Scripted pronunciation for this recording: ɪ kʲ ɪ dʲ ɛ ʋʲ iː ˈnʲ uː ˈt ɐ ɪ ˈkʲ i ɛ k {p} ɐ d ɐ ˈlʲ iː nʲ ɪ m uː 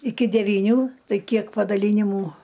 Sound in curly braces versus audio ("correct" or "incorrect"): correct